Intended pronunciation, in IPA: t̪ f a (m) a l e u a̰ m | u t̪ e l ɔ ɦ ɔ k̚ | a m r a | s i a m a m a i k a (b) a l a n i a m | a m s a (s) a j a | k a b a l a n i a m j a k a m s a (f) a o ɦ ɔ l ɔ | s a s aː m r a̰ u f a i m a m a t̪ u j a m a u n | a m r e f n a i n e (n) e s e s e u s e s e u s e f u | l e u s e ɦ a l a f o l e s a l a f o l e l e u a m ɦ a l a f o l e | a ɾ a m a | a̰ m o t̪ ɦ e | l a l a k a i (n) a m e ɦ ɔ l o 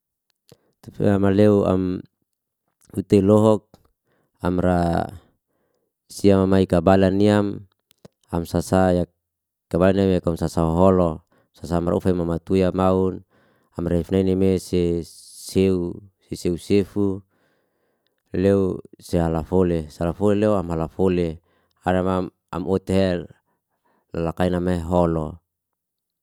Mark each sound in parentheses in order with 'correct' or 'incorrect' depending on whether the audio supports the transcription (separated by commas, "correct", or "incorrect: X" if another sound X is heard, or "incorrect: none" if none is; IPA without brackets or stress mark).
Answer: correct, correct, correct, incorrect: s, incorrect: m, correct